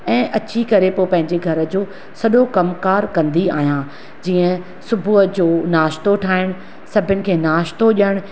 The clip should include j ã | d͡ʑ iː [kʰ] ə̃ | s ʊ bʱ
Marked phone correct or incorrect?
incorrect: none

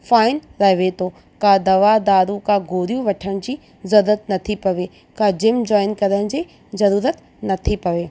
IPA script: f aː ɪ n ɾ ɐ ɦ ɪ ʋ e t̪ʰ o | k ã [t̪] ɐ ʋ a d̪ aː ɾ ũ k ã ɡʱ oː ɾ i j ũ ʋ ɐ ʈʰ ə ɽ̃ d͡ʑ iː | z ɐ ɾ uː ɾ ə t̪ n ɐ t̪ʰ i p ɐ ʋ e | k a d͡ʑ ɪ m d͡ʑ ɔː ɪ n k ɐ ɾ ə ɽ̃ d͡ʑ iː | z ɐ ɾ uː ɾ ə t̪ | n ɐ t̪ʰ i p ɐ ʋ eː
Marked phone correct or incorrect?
incorrect: d̪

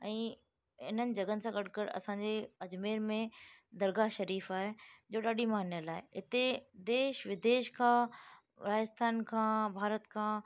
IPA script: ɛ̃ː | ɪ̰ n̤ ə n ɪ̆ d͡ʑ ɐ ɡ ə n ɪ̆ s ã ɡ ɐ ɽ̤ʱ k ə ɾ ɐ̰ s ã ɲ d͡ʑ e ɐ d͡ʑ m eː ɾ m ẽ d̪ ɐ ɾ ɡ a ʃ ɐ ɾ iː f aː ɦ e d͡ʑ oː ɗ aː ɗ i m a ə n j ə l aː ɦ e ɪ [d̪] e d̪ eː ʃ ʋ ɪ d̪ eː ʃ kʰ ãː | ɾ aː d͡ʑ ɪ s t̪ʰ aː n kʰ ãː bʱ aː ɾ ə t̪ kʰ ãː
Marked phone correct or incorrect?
incorrect: t̪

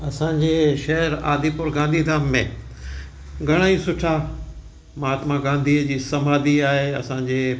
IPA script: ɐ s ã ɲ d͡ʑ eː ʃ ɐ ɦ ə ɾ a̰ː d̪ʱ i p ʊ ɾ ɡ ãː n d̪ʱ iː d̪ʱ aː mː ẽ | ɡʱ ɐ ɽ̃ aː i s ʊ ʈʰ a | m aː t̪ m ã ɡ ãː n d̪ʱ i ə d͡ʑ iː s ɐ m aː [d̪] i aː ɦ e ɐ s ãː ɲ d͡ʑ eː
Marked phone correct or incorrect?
correct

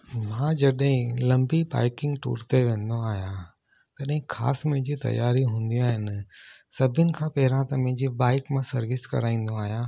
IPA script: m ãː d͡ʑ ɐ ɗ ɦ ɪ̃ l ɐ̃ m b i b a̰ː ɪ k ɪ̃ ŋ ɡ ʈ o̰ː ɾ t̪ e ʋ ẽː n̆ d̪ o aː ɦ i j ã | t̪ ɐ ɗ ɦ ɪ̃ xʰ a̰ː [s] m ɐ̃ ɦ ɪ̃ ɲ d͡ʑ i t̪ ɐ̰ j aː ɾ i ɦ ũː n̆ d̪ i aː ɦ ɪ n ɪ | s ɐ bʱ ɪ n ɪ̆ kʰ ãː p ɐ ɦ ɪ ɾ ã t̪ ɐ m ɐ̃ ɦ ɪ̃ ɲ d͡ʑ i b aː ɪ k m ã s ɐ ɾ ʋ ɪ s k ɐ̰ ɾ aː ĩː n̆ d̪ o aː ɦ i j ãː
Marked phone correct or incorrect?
correct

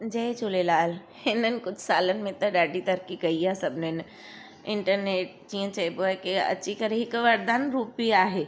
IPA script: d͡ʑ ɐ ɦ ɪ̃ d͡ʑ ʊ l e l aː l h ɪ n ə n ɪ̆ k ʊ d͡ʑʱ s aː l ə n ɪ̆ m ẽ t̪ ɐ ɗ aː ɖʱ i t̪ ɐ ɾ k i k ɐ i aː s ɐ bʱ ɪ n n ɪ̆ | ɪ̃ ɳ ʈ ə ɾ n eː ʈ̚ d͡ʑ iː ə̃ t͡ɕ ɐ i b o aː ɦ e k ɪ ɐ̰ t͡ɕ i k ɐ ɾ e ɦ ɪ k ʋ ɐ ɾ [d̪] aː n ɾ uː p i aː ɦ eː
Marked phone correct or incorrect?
correct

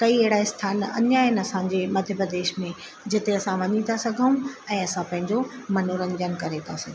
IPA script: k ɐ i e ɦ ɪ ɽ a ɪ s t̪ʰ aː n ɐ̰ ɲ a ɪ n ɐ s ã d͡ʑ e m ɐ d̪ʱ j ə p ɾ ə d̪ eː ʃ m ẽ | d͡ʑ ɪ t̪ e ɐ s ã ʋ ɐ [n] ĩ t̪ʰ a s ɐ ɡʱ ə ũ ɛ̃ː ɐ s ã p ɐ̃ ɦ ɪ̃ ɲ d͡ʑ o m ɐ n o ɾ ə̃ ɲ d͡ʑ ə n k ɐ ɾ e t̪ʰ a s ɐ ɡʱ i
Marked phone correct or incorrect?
incorrect: ɲ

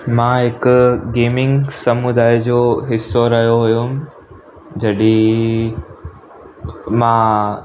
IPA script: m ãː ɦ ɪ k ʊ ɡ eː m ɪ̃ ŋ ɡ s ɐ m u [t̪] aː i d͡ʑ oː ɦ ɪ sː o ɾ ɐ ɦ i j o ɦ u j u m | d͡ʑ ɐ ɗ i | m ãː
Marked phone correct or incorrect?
incorrect: d̪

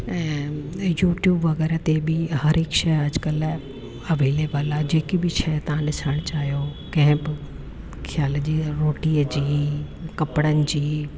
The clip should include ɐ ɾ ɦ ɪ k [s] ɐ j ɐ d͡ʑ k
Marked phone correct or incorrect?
incorrect: ʃ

